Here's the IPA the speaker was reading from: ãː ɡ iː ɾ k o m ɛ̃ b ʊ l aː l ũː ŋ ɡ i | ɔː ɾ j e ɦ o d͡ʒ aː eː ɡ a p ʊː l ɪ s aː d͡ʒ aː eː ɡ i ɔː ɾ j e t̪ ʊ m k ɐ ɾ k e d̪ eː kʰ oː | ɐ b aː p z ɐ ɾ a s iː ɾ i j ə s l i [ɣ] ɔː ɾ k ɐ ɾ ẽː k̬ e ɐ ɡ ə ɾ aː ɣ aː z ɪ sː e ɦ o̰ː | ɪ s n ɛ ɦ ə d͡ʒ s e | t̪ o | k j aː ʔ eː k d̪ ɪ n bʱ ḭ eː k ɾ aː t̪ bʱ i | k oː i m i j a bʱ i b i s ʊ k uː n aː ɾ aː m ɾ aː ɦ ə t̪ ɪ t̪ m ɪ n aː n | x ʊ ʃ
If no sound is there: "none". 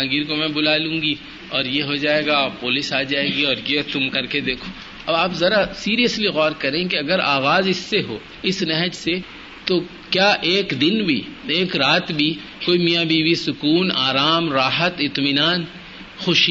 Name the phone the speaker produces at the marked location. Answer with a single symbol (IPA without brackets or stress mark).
ɣ